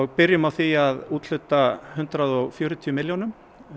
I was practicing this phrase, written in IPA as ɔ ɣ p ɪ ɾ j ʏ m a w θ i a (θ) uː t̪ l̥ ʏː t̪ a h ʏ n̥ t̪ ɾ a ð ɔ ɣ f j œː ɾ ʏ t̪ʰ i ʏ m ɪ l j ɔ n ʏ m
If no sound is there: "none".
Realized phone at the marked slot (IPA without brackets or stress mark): ð